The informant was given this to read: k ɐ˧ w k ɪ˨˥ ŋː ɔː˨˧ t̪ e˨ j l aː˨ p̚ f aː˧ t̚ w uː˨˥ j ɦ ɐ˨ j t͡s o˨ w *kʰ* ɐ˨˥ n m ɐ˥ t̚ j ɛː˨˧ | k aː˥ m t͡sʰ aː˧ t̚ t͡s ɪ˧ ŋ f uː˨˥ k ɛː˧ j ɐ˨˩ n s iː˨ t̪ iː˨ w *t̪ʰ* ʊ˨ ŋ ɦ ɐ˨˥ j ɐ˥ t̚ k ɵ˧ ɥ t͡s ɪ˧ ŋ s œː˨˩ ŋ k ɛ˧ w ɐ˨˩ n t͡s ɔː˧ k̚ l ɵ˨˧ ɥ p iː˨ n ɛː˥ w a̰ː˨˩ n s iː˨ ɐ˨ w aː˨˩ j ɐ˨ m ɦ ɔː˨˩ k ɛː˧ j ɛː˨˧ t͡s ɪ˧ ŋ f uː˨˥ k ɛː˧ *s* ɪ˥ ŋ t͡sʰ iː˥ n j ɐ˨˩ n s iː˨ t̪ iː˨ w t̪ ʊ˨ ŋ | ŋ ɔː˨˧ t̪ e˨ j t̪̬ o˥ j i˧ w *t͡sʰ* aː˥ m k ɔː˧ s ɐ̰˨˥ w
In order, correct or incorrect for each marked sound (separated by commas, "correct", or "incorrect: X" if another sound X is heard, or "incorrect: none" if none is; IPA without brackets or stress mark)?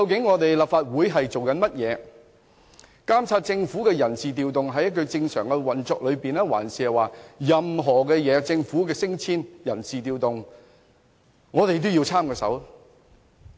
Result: incorrect: k, incorrect: t̪, correct, correct